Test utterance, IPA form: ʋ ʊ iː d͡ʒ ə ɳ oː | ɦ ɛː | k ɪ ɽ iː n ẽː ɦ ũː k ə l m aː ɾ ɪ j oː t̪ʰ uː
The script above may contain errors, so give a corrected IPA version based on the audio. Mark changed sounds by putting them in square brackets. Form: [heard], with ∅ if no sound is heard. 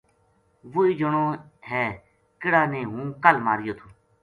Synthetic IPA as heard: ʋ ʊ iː d͡ʒ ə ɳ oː | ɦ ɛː | k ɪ ɽ [aː] n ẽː ɦ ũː k ə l m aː ɾ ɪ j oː t̪ʰ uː